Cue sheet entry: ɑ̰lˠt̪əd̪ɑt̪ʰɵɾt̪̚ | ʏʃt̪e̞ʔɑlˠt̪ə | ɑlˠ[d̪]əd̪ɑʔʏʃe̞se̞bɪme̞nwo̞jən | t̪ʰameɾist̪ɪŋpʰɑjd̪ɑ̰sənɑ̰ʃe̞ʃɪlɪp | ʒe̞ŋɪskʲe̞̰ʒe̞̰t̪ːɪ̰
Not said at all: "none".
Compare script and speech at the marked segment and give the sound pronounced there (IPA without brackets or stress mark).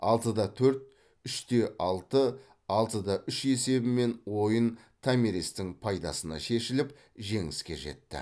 t̪